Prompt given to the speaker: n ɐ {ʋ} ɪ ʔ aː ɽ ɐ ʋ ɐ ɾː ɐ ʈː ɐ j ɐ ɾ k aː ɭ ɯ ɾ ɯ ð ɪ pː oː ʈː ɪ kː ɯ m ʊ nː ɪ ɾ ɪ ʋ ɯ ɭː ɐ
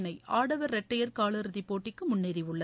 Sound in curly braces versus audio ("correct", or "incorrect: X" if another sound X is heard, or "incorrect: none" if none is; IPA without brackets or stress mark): incorrect: none